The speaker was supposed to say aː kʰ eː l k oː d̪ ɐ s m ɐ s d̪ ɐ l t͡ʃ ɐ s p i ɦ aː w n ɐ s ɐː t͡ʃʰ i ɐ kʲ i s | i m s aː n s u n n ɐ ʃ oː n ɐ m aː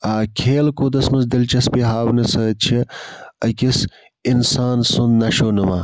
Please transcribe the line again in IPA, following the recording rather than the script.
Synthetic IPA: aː kʰ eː l k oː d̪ ɐ s m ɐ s d̪ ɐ l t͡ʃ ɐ s p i ɦ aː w n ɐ s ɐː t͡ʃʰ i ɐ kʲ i s | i n s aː n s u n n ɐ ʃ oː n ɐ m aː